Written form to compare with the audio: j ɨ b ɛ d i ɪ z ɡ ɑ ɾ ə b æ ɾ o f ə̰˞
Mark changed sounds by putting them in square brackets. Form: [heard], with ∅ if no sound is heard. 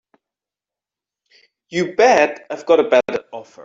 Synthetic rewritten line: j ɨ b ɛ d [a] ɪ [v] ɡ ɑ ɾ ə b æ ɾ [ɔ] f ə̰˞